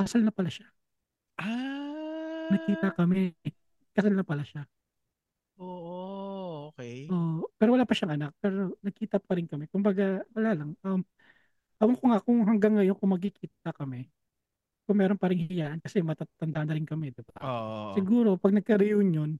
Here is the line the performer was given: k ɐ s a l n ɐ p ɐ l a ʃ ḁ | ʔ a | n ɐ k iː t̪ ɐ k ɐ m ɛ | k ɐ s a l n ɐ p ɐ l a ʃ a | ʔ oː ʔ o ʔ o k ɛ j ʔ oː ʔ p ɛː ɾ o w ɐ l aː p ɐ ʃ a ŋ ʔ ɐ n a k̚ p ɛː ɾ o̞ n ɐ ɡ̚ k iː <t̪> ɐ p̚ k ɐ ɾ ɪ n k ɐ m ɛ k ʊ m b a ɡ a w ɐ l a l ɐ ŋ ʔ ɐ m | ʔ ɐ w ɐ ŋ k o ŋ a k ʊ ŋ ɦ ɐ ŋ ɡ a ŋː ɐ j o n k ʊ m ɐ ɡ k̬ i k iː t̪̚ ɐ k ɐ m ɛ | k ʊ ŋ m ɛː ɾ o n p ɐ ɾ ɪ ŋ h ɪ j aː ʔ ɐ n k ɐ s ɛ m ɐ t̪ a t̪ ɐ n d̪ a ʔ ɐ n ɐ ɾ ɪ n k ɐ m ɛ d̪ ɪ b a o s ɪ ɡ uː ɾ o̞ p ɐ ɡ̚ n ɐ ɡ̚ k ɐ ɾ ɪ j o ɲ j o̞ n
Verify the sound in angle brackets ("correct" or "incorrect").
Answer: correct